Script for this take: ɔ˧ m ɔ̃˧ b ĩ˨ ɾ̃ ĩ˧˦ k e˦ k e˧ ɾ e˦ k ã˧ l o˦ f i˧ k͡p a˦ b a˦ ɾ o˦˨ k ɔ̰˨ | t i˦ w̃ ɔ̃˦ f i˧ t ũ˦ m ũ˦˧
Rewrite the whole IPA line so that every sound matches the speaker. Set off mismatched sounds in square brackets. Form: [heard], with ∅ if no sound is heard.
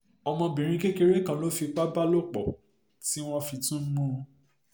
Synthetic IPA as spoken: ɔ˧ m ɔ̃˧ b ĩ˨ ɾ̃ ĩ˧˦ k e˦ k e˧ ɾ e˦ k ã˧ l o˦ f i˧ k͡p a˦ b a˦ [l] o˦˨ [k͡p] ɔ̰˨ | t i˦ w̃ ɔ̃˦ f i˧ t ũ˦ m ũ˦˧